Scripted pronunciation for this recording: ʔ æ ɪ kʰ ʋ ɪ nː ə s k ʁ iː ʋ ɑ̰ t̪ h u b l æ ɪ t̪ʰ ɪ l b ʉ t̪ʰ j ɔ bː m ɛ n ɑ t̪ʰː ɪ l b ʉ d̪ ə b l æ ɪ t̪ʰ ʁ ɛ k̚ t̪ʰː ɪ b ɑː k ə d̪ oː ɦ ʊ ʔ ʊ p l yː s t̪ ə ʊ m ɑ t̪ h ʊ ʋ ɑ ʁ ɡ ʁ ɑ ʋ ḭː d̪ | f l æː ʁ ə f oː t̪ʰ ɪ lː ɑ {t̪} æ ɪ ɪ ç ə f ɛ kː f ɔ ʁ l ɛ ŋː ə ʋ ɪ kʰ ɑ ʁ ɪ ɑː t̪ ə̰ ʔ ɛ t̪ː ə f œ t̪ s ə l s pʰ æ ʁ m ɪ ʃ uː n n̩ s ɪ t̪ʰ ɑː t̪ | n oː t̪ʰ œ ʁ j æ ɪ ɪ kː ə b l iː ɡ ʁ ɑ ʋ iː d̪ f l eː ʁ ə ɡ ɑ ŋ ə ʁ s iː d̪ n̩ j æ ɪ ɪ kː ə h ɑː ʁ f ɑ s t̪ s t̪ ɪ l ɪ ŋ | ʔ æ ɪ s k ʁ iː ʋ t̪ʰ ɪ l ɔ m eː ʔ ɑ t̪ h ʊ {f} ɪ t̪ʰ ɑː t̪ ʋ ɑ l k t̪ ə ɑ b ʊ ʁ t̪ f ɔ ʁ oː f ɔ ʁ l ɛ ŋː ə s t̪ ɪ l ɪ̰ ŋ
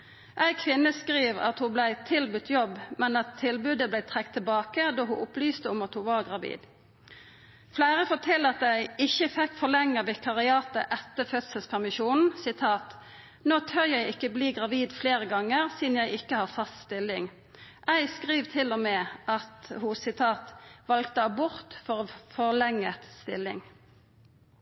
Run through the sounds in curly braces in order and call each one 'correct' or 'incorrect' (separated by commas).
correct, incorrect